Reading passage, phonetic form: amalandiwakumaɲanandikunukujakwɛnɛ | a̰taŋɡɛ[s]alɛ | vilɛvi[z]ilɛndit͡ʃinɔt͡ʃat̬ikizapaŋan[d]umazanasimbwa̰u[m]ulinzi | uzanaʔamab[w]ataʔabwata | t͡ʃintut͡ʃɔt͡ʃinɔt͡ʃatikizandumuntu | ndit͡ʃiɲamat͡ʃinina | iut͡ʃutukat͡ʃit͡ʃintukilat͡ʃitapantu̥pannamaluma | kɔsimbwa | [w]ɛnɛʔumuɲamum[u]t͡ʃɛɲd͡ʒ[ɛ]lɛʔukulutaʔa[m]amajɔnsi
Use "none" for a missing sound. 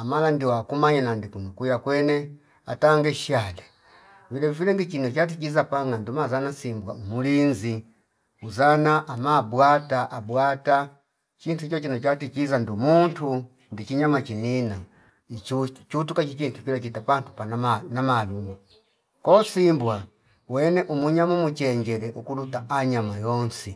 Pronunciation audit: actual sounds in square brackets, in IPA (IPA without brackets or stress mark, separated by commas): ʃ, v, d, m, w, w, u, ɛ, ɲ